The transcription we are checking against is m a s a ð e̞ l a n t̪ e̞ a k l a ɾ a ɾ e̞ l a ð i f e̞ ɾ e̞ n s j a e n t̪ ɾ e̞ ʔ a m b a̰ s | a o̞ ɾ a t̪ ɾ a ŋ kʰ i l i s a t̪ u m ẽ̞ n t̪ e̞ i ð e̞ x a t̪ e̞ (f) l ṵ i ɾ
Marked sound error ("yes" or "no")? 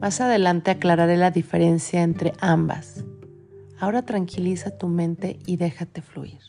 no